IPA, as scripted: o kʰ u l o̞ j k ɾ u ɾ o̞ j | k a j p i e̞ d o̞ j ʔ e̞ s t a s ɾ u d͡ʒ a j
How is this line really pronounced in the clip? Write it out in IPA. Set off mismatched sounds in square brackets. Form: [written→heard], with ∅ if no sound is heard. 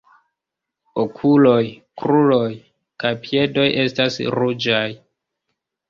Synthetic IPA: o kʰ u l o̞ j k ɾ u [ɾ→l] o̞ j | k a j p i e̞ d o̞ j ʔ e̞ s t a s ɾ u d͡ʒ a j